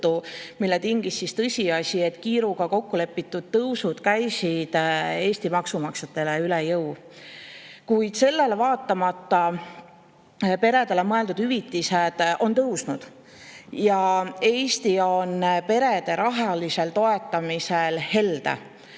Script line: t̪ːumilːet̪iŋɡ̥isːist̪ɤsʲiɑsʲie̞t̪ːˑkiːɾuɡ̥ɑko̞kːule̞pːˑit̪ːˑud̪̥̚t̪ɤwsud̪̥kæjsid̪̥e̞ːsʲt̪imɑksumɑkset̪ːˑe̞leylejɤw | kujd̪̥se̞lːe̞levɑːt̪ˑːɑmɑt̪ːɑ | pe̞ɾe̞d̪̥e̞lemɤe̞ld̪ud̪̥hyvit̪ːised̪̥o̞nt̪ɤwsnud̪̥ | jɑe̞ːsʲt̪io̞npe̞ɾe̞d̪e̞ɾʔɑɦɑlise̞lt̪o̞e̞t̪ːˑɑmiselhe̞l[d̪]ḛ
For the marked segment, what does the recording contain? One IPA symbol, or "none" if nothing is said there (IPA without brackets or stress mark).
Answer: d̪